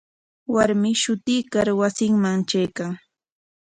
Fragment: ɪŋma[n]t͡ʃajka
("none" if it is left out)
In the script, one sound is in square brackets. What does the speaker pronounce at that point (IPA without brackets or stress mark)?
ŋ